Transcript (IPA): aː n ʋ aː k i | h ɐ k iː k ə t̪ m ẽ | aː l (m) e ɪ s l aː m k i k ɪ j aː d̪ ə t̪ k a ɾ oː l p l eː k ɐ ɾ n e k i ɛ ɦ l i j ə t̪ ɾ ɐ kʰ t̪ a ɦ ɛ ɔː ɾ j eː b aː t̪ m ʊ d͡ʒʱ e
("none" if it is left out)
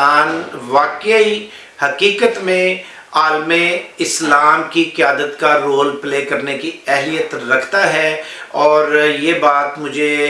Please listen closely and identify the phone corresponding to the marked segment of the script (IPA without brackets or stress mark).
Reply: m